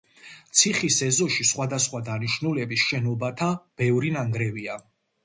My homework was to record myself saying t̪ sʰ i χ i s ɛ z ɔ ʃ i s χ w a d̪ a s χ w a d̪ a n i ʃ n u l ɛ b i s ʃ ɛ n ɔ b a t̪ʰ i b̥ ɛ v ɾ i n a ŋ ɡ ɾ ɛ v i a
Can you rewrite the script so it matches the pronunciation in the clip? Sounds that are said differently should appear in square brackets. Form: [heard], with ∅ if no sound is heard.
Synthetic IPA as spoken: t̪ sʰ i χ i s ɛ z ɔ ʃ i s χ w a d̪ a s χ w a d̪ a n i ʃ n u l ɛ b i s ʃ ɛ n ɔ b a t̪ʰ [a] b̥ ɛ v ɾ i n a ŋ ɡ ɾ ɛ v i a